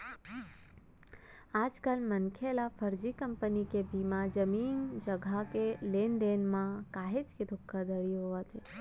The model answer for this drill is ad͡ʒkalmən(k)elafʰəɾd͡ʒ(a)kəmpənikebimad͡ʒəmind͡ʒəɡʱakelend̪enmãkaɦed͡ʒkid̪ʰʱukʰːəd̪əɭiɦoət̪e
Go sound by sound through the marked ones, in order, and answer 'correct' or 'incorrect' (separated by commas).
incorrect, incorrect